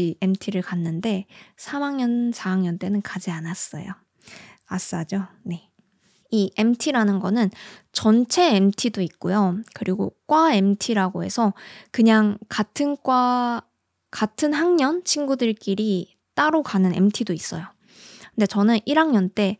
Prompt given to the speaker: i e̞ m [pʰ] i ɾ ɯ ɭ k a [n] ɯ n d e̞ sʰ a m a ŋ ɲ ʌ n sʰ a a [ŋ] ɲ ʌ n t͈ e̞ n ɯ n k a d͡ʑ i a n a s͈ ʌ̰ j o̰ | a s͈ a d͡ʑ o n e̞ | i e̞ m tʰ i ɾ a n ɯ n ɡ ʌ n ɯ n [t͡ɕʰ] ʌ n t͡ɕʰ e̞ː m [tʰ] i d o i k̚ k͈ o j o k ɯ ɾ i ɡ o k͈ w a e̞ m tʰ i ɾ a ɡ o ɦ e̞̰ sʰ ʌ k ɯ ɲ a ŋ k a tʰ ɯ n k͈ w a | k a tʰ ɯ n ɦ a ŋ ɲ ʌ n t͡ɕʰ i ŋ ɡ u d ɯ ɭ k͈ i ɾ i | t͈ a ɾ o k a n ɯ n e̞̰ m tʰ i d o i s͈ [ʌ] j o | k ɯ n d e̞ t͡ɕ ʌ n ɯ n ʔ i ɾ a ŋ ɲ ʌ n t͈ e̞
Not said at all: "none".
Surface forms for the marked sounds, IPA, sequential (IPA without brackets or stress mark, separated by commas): tʰ, nː, ŋ, t͡ɕ, tʰ, ʌ